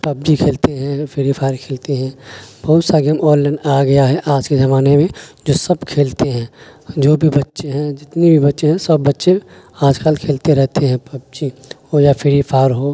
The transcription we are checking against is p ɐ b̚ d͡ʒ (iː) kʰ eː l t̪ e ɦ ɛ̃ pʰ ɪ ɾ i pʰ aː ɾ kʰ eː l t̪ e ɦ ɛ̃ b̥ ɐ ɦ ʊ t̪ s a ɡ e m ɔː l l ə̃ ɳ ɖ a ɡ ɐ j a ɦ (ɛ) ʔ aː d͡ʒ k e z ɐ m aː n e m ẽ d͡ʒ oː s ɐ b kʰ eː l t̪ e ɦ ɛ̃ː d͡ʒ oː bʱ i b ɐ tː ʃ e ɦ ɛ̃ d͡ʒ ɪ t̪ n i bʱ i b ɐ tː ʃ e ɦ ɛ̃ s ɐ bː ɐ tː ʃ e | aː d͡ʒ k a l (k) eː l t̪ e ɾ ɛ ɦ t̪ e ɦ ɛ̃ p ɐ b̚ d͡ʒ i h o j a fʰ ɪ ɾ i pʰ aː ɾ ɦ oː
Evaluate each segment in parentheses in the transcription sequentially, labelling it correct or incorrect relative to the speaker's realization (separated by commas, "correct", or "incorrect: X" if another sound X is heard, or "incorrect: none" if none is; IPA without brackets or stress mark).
incorrect: i, correct, incorrect: kʰ